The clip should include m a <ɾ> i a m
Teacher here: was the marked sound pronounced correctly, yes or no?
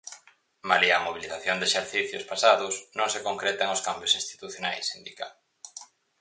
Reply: no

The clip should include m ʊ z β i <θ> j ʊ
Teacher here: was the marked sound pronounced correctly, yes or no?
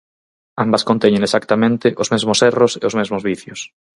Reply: yes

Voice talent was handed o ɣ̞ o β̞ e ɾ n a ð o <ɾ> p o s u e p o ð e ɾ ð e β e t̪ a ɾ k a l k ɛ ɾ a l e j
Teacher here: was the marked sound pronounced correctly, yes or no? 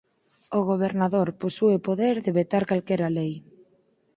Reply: yes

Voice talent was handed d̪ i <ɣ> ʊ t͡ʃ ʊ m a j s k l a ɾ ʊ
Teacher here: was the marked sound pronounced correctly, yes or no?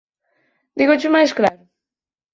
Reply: yes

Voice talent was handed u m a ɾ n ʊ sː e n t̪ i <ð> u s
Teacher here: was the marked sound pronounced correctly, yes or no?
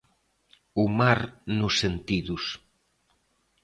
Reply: yes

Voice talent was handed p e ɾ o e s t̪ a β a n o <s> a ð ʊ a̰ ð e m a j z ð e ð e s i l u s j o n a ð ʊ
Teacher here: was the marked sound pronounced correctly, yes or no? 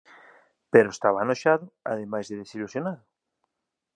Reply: no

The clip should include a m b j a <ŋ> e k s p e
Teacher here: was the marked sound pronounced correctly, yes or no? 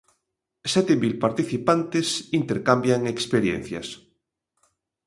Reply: yes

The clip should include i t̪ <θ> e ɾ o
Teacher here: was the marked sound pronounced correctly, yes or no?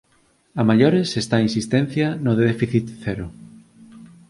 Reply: yes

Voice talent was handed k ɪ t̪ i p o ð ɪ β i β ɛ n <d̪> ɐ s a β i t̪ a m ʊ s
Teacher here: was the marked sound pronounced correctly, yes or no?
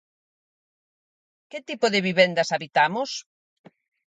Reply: yes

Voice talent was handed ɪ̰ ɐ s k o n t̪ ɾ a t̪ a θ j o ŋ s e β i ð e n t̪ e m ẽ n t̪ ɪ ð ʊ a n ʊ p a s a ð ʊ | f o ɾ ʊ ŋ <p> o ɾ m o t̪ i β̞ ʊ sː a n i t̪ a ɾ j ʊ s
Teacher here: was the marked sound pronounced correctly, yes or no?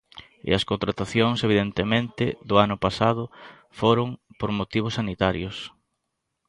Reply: yes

